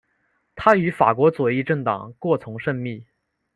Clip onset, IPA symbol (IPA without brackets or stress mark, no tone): t̪ʰ